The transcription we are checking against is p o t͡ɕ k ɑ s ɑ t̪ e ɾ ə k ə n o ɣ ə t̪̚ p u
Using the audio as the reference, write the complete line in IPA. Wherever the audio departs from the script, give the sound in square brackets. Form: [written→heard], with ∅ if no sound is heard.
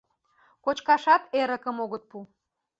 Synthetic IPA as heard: [p→k] o t͡ɕ k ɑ [s→ʃ] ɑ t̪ e ɾ ə k ə [n→m] o ɣ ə t̪̚ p u

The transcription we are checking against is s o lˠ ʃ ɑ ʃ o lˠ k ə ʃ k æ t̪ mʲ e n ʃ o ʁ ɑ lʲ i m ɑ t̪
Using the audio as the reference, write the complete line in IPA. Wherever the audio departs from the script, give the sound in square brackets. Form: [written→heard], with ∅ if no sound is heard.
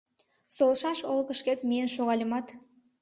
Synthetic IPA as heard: s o lˠ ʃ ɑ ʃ o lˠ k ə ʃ k [æ→e] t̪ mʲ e n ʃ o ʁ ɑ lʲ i m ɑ t̪

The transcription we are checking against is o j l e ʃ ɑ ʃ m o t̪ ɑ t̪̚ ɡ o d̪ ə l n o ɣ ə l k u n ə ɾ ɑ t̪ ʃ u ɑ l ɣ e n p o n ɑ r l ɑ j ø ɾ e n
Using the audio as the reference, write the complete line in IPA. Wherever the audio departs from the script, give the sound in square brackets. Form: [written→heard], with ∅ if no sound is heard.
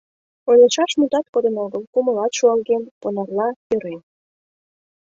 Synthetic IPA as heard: o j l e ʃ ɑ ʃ m [o→u] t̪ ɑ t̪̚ [ɡ→k] o d̪ ə [l→∅] n o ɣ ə l k u [n→m] ə [ɾ→l] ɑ t̪ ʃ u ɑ l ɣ e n p o n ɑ r l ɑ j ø ɾ e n

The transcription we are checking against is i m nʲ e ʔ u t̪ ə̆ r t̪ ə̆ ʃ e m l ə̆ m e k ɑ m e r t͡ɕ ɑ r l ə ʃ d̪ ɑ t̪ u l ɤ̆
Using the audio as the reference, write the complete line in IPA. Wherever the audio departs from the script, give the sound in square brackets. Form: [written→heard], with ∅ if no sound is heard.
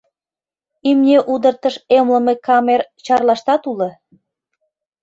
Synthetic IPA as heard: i m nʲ e ʔ u [t̪→d̪] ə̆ r t̪ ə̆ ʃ e m l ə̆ m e k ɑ m e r t͡ɕ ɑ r l [ə→ɑ] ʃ [d̪→t̪] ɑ t̪ u l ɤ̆

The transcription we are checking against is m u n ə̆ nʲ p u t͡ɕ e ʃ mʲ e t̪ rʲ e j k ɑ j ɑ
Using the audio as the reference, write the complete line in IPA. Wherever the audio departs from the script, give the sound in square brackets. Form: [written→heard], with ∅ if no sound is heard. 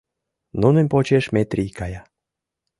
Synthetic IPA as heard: [m→n] u n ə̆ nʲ p [u→o] t͡ɕ e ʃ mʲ e t̪ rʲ [e→i] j k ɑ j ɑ

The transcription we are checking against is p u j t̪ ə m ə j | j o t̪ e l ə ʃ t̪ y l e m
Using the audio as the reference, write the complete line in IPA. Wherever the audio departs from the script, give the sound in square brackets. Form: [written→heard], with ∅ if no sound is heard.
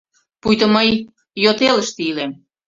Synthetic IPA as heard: p u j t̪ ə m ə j | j o t̪ e l ə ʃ t̪ [y→i] l e m

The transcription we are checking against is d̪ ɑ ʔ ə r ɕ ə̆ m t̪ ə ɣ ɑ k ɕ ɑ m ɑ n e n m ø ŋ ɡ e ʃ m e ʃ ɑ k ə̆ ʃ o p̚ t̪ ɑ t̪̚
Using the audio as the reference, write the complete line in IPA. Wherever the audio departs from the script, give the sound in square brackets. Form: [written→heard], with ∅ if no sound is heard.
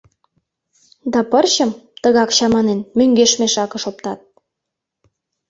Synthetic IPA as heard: d̪ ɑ [ʔ→p] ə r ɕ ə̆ m t̪ ə ɣ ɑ k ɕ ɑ m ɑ n e n m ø ŋ ɡ e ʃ m e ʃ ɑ k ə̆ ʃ o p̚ t̪ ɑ t̪̚

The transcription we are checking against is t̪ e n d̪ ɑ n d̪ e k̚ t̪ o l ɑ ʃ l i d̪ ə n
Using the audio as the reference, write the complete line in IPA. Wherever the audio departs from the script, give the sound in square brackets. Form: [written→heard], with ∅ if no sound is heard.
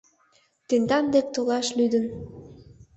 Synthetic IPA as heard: t̪ e n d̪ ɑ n d̪ e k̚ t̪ o l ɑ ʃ l [i→y] d̪ ə n

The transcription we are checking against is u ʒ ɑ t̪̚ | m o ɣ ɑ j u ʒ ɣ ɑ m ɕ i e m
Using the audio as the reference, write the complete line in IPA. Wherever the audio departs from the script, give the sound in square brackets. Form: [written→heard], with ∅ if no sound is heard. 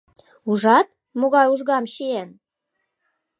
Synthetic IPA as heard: u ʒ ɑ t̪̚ | m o ɣ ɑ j u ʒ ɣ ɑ m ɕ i e [m→n]

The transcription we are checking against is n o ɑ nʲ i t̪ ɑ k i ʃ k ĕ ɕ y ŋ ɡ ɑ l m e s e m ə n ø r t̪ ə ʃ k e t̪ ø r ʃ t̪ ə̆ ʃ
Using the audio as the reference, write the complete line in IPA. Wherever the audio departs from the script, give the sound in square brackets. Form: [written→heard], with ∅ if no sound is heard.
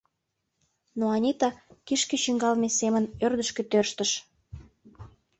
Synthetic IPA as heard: n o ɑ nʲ i t̪ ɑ k i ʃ k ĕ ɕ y ŋ ɡ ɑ l m e s e m ə n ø r [t̪→d̪] ə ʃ k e t̪ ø r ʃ t̪ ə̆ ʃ

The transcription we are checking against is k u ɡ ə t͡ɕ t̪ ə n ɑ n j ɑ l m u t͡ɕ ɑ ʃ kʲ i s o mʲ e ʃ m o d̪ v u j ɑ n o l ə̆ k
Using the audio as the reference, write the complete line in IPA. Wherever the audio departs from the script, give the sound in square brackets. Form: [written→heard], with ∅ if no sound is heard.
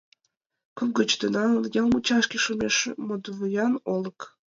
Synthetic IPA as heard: k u ɡ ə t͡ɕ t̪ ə n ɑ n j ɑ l m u t͡ɕ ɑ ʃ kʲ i [s→ʃ] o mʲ e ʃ m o d̪ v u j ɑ n o l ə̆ k

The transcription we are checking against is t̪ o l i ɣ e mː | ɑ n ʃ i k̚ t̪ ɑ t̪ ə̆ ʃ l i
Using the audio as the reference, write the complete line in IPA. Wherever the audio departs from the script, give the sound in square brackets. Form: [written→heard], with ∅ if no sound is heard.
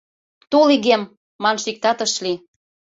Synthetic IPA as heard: t̪ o l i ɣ e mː | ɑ n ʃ i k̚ t̪ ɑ t̪ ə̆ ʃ l i

